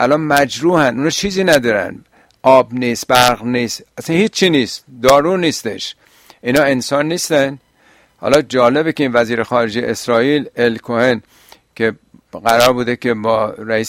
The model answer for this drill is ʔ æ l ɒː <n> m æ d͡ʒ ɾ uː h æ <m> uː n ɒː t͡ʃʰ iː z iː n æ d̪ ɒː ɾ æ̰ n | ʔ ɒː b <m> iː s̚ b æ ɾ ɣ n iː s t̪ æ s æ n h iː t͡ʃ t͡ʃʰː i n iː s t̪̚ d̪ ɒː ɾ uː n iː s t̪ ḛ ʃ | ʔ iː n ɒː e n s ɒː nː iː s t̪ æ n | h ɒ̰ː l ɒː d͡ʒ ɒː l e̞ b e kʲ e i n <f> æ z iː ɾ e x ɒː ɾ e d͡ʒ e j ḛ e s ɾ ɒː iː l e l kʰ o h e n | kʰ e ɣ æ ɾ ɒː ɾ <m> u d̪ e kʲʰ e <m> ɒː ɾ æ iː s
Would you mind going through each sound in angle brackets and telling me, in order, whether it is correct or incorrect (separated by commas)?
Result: correct, incorrect, incorrect, incorrect, incorrect, incorrect